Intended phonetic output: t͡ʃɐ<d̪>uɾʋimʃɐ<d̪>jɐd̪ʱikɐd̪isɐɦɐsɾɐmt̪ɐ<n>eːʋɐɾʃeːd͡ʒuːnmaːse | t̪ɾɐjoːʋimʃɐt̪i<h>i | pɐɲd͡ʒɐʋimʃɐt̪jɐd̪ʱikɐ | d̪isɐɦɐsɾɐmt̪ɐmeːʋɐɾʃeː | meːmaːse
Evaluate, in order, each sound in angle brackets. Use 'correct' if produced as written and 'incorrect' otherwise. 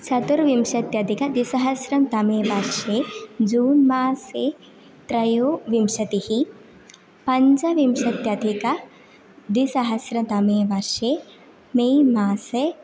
incorrect: t̪, incorrect: t̪, incorrect: m, correct

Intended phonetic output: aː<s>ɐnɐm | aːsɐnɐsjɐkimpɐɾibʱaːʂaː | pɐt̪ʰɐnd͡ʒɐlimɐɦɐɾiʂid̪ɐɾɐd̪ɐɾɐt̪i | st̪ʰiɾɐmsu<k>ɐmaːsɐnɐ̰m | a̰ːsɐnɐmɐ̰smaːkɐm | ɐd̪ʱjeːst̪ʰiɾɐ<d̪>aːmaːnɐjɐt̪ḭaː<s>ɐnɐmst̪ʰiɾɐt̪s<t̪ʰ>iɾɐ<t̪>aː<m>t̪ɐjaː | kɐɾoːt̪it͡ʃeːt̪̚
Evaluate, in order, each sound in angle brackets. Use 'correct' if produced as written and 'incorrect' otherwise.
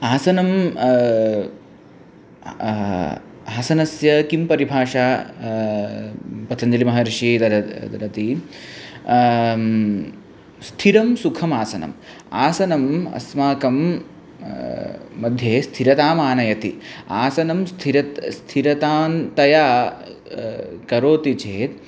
correct, incorrect: kʰ, incorrect: t̪, correct, correct, correct, incorrect: n

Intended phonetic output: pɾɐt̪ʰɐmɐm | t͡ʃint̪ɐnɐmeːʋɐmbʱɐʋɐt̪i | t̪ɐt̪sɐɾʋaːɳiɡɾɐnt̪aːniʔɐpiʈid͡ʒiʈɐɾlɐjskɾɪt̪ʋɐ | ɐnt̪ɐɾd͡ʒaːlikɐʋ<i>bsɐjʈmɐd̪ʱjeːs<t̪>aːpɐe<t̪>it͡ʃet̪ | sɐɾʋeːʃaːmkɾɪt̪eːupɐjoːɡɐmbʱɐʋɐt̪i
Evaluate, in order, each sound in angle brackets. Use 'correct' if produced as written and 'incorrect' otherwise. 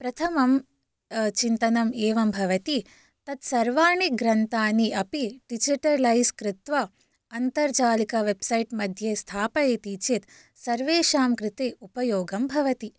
incorrect: e, incorrect: t̪ʰ, correct

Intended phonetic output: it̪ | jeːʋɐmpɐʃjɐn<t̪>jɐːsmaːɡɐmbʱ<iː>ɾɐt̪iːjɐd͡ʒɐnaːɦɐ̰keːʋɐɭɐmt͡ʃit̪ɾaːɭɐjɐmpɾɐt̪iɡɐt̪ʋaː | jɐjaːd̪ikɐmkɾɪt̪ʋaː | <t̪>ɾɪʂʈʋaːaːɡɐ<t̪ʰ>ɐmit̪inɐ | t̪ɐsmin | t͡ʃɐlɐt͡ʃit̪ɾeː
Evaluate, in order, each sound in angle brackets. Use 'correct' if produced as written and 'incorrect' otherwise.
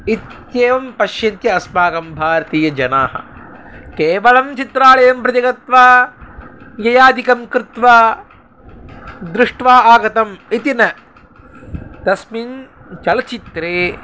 correct, incorrect: aː, incorrect: d̪, incorrect: t̪

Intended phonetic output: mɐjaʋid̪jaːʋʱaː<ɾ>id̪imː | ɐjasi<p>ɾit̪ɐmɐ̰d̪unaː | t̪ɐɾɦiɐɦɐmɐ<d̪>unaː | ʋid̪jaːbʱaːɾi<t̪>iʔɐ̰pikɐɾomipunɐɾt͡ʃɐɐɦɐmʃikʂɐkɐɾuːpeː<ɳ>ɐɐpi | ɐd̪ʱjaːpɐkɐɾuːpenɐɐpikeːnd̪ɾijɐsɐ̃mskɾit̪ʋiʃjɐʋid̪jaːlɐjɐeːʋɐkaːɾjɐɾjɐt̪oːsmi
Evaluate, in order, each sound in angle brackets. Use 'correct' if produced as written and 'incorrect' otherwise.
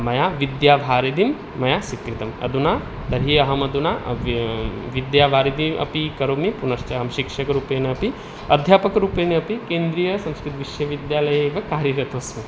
correct, incorrect: k, correct, incorrect: d̪, incorrect: n

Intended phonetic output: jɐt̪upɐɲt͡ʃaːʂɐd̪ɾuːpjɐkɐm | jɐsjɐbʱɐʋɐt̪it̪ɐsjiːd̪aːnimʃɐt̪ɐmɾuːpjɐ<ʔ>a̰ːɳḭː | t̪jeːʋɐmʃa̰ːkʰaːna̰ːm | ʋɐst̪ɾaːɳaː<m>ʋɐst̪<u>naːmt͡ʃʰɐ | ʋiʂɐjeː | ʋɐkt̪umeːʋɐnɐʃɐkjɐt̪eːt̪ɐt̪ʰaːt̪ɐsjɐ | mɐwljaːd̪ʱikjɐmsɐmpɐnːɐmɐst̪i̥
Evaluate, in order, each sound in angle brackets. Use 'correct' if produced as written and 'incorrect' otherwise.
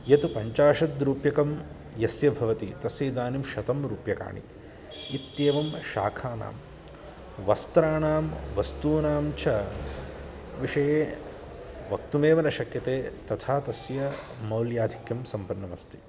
incorrect: k, correct, incorrect: uː

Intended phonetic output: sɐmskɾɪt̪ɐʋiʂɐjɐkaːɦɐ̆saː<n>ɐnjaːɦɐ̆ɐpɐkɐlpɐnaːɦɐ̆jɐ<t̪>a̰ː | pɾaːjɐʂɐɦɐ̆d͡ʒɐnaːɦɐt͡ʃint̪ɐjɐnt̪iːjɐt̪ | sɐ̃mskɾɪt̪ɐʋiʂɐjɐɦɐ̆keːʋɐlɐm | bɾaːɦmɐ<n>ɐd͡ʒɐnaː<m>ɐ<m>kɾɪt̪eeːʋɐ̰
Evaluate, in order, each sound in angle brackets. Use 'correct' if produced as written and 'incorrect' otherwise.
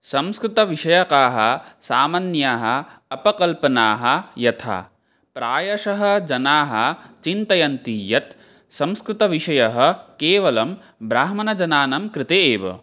incorrect: m, incorrect: t̪ʰ, correct, incorrect: n, correct

